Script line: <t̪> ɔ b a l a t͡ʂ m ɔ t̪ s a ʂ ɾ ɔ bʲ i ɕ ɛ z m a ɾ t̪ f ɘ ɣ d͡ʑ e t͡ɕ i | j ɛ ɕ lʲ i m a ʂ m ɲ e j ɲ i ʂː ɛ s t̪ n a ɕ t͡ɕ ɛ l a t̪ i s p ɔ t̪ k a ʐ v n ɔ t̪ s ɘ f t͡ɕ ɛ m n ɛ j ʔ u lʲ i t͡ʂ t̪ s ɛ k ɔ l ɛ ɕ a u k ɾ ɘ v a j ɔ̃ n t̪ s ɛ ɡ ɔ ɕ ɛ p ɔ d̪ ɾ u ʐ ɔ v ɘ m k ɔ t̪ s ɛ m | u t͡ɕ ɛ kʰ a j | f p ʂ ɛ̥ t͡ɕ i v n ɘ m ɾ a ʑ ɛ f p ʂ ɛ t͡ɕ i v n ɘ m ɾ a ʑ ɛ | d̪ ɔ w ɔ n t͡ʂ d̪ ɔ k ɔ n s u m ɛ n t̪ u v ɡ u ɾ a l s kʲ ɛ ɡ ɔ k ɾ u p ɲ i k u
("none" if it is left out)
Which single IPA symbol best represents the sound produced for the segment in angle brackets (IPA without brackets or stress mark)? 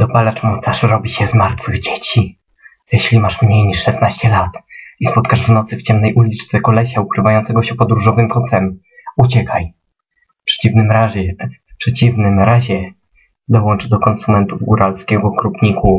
d̪